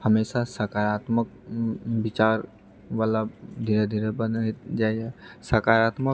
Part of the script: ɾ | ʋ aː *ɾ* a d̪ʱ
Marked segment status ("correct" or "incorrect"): incorrect